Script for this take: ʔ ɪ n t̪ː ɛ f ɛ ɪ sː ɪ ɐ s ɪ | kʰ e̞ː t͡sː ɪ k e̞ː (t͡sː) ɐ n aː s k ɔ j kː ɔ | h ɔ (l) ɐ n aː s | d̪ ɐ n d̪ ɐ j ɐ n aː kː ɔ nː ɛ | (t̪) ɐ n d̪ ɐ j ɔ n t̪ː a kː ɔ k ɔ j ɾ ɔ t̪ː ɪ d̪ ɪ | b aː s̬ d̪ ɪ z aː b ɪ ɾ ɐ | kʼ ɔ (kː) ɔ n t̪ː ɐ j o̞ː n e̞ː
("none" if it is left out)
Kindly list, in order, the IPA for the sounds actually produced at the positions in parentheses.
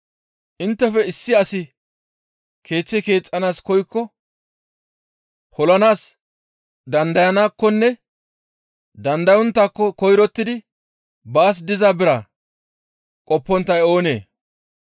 t͡sʼː, l, d̪, pː

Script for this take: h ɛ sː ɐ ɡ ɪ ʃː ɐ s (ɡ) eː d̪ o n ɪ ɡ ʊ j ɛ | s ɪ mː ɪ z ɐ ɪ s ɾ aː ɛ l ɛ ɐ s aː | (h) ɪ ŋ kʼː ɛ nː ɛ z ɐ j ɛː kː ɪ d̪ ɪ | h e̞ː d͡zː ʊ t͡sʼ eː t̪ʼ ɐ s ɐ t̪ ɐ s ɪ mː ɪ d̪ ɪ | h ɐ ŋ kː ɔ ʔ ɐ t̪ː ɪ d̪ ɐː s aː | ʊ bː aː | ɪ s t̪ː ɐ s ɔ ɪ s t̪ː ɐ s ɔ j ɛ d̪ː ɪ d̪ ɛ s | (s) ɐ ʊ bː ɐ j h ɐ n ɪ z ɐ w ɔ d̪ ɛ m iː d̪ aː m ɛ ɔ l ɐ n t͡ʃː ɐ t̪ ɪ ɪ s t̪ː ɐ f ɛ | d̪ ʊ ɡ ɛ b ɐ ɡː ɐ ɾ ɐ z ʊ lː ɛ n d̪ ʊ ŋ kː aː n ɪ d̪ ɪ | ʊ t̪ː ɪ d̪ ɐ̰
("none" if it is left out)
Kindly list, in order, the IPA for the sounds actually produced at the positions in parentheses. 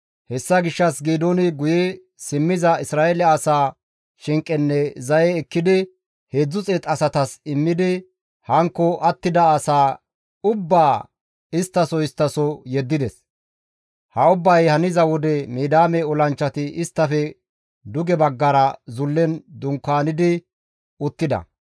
ɡ, ʃ, h

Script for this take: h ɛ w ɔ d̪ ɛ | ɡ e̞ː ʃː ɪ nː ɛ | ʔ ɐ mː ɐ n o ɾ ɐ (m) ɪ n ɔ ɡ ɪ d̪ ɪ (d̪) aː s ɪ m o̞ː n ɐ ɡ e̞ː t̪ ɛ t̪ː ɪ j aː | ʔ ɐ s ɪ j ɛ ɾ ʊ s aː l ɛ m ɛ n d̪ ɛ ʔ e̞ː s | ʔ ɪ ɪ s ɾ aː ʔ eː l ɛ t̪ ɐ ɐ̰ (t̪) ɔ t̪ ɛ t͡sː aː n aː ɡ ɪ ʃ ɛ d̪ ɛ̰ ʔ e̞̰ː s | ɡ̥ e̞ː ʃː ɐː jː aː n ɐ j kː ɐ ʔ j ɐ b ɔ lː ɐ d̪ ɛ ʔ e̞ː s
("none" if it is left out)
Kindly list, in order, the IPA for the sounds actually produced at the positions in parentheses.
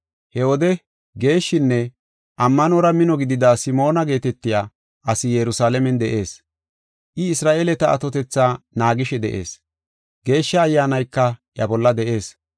m, d̪, t̪

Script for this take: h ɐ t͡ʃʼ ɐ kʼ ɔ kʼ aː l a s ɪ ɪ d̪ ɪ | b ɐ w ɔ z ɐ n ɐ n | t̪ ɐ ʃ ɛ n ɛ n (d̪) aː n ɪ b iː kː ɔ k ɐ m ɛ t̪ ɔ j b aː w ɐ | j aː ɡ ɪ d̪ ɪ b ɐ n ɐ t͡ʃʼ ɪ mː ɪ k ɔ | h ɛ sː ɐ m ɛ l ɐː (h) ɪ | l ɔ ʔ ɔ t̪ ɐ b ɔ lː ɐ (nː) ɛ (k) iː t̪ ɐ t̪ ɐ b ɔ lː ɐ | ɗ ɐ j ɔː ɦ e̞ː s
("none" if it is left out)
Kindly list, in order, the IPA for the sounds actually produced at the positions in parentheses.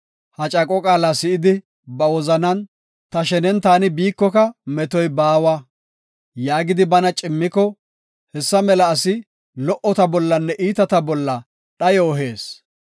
t̪, s, nː, ʔ

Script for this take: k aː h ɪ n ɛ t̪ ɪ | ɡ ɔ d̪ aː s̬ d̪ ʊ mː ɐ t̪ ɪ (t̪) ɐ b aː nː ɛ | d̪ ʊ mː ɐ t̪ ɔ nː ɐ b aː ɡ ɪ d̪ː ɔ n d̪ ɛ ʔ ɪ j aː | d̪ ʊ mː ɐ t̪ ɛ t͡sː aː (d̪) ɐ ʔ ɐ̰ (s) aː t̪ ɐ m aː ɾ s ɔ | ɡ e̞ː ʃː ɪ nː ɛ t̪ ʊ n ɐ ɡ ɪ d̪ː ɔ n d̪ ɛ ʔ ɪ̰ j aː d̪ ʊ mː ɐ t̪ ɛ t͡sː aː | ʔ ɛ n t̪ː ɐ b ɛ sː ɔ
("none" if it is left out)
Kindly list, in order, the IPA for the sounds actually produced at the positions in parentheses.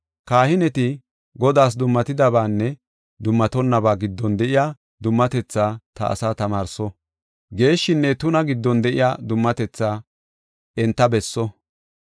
d̪, t̪, s

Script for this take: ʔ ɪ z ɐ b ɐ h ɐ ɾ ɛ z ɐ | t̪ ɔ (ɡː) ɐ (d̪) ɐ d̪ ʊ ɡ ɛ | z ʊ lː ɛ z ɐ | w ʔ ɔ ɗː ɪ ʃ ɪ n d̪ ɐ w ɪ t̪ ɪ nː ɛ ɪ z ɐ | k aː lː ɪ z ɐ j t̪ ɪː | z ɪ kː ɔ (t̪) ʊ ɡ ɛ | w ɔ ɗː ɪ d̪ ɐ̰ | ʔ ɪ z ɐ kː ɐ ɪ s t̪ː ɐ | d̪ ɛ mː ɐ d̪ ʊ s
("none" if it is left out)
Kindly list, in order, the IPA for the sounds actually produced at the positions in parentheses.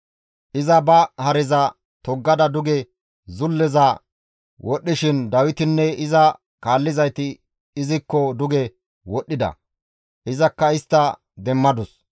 ɡː, d̪, d̪

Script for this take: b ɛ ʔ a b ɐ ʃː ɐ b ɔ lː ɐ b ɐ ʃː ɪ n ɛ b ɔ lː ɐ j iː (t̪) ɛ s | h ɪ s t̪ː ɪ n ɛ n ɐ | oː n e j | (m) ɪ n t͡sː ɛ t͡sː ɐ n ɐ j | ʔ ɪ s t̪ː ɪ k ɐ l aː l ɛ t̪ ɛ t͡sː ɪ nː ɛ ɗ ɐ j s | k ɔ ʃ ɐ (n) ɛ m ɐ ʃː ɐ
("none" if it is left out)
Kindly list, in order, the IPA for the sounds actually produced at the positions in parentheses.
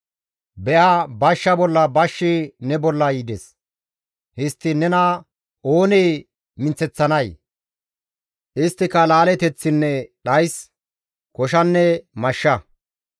d̪, m, nː

